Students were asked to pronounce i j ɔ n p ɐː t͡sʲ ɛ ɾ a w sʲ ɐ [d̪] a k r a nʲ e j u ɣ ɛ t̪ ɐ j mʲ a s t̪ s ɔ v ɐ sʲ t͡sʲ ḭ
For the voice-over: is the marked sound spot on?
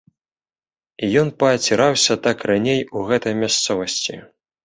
no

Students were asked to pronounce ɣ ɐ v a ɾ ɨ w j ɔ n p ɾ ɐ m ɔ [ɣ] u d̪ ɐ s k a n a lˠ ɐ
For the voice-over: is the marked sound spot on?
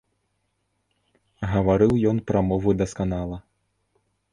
no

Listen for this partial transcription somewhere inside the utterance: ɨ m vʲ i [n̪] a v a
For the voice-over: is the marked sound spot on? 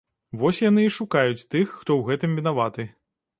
yes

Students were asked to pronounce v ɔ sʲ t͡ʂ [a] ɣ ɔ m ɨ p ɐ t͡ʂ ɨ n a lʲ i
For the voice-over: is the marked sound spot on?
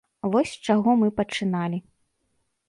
yes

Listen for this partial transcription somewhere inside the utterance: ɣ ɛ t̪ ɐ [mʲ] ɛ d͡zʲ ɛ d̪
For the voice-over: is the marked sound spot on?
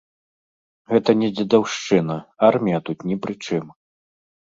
no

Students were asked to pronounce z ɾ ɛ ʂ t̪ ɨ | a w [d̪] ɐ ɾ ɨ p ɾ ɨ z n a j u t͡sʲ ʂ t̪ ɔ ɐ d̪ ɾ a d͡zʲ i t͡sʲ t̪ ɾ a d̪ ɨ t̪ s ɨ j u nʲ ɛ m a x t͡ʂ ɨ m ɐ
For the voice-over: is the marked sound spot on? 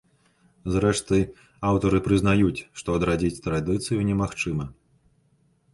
no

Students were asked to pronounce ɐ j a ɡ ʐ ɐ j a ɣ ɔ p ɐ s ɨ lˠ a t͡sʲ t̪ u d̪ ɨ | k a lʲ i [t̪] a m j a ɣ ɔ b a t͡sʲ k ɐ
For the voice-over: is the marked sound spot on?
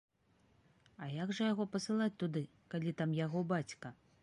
yes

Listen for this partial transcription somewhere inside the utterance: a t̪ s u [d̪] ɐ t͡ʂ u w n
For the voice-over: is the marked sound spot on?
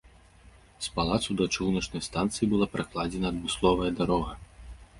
yes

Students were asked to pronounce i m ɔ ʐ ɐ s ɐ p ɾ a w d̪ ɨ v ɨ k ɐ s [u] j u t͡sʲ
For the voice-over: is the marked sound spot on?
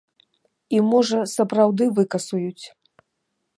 yes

